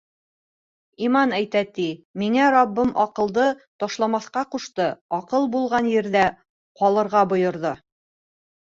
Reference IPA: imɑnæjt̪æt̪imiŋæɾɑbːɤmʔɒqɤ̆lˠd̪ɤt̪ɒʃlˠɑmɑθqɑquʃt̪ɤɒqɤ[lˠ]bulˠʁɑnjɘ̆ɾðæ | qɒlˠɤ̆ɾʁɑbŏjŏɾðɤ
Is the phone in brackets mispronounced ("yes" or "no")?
no